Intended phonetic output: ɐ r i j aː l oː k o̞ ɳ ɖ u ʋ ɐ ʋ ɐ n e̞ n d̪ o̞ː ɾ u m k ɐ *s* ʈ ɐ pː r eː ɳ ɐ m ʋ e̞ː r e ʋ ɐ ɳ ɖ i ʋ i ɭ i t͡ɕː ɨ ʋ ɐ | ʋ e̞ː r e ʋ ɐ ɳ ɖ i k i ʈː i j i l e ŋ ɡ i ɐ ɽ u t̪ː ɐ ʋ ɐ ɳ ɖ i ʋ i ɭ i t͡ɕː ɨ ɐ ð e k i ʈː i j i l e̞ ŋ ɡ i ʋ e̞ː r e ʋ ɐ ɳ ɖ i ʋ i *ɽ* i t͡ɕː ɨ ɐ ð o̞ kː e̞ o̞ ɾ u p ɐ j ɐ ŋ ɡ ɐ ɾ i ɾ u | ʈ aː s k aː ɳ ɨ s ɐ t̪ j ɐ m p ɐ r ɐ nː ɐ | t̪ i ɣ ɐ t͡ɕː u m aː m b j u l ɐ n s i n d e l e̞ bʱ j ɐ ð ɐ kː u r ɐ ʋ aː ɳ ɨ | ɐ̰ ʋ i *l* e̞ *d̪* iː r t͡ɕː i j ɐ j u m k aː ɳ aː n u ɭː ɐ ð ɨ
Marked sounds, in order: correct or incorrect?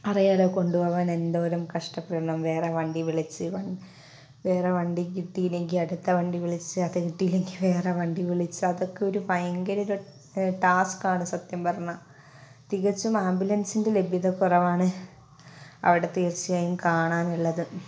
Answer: incorrect, incorrect, incorrect, incorrect

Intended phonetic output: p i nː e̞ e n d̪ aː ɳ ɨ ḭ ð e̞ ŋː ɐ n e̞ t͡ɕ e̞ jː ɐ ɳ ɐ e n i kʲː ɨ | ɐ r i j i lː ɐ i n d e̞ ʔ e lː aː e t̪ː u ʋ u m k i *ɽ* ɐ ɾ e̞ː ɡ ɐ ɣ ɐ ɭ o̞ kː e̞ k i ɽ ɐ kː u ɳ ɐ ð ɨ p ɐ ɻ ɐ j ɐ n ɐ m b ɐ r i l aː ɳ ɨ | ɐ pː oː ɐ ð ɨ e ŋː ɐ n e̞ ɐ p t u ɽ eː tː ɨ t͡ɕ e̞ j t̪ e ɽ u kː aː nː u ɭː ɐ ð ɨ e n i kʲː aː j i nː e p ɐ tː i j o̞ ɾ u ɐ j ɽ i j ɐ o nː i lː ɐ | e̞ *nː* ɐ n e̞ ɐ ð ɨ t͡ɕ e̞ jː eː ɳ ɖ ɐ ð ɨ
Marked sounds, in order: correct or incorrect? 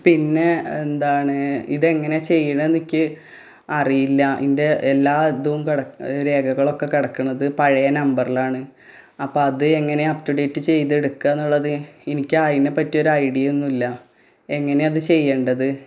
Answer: correct, incorrect

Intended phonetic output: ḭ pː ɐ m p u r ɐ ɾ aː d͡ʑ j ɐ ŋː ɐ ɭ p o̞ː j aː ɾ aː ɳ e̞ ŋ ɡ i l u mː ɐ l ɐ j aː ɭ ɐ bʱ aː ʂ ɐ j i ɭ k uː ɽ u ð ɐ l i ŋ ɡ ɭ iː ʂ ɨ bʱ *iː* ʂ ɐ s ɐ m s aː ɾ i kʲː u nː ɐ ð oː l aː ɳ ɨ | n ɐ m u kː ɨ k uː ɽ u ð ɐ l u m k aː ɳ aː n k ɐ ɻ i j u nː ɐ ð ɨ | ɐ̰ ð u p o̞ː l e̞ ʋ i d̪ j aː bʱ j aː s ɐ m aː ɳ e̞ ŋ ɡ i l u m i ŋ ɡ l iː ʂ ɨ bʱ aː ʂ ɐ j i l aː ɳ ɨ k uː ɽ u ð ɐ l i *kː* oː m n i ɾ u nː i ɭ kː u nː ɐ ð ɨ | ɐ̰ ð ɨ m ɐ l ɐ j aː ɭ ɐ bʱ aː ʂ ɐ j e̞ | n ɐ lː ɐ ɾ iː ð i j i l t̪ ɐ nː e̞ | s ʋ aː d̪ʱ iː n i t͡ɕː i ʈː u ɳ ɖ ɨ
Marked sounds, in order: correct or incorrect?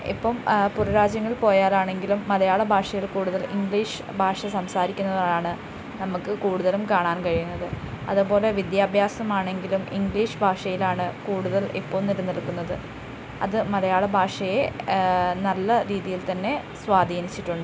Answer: incorrect, incorrect

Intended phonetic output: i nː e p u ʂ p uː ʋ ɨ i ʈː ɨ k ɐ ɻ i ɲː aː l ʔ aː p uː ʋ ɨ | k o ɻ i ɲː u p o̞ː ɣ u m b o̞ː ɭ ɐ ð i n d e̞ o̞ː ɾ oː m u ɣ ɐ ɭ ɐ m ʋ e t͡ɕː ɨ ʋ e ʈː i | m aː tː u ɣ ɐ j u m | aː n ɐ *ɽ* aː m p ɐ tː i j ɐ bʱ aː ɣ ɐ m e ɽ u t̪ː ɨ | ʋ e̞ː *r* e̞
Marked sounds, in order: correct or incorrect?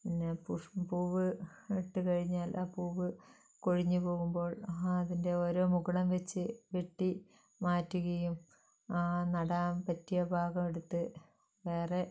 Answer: correct, correct

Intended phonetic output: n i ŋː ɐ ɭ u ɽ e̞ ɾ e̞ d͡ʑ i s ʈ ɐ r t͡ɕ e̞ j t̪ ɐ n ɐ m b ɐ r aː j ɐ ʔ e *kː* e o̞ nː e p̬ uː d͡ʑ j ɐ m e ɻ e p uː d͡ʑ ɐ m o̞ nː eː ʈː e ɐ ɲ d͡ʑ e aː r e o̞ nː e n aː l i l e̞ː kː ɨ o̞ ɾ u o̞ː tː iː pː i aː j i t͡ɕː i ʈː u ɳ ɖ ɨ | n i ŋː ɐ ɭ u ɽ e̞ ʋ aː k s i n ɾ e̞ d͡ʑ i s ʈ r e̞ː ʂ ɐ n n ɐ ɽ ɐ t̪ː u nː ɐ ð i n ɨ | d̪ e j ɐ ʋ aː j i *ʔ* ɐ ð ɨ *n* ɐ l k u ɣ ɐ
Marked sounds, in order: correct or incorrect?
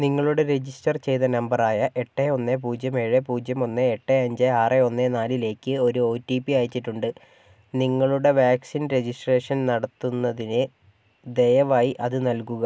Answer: incorrect, correct, correct

